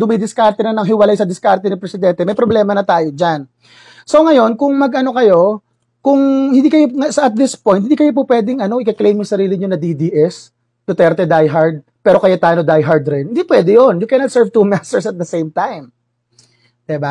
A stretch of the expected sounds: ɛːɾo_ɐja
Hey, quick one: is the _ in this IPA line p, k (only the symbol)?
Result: k